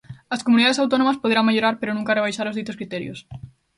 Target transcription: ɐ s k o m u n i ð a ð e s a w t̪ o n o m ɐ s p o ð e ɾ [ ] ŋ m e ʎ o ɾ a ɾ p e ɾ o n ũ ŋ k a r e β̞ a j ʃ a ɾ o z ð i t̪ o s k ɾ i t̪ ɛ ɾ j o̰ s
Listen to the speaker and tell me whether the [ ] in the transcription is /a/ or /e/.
a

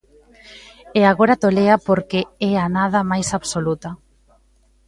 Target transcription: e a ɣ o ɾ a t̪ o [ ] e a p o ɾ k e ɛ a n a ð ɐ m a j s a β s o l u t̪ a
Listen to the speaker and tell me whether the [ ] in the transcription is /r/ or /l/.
l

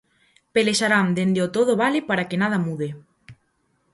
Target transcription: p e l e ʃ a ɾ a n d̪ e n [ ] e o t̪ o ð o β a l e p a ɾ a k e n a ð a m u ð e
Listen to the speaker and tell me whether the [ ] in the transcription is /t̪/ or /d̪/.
d̪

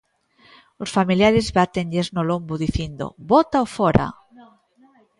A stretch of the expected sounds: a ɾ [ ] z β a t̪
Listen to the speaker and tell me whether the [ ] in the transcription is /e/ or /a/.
e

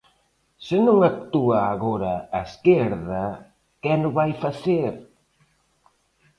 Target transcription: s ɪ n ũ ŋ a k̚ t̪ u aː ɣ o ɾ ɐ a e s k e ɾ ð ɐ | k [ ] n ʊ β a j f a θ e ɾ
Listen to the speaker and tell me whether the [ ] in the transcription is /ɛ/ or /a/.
ɛ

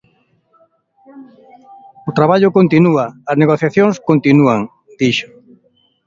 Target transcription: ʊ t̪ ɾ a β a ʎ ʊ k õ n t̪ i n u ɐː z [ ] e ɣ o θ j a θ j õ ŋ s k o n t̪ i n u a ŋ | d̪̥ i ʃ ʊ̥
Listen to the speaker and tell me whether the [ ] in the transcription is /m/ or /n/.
n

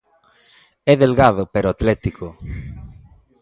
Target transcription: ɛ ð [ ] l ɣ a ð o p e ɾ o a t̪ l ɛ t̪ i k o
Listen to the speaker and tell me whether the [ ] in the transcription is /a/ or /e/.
e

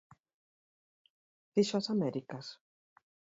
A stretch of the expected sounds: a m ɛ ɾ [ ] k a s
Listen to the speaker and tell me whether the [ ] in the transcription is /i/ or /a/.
i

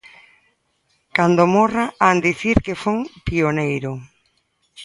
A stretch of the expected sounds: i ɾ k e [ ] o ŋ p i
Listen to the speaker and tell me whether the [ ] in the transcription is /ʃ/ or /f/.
f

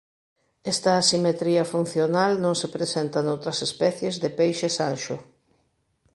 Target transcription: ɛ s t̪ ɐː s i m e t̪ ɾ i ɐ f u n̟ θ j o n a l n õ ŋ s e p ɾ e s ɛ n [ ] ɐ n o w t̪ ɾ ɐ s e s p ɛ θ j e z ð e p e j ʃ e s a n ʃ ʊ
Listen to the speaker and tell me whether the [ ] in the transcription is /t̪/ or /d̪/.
t̪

